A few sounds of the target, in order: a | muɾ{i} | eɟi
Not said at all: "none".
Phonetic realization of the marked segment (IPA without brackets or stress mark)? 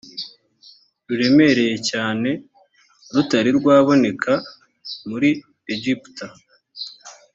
i